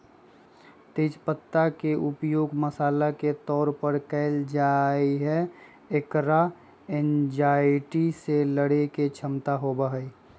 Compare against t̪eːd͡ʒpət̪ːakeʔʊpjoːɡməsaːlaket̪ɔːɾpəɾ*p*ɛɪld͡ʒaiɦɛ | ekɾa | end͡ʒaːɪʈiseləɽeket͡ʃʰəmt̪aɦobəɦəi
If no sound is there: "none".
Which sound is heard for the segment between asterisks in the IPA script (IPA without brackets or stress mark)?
k